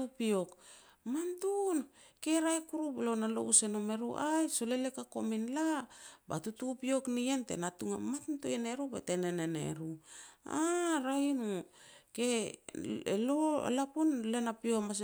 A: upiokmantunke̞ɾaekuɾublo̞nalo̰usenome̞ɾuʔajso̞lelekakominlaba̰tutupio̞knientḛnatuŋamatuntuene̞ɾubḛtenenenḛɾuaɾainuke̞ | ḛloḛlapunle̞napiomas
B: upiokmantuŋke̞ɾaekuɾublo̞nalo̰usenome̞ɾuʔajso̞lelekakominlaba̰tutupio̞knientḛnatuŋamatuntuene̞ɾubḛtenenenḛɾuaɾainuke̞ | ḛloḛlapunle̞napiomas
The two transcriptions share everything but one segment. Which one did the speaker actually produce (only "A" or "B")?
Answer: A